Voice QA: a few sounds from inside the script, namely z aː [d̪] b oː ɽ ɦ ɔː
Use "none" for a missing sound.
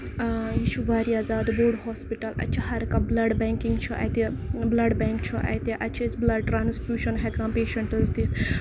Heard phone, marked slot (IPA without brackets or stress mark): d̪